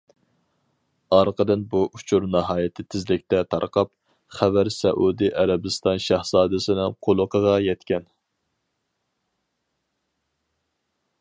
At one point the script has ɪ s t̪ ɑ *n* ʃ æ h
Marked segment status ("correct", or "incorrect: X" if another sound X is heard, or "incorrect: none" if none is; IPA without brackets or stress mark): correct